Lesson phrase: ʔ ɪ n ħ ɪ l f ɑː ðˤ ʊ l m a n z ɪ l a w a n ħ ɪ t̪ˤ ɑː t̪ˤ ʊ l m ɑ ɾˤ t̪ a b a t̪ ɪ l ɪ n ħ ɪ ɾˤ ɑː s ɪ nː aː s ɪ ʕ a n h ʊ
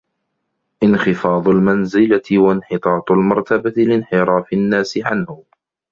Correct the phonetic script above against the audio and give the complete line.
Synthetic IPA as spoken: ʔ ɪ n x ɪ f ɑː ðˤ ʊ l m a n z ɪ l a w a n ħ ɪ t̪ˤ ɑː t̪ˤ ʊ l m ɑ ɾˤ t̪ a b a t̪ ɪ l ɪ n ħ ɪ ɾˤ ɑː f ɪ nː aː s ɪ ʕ a n h ʊ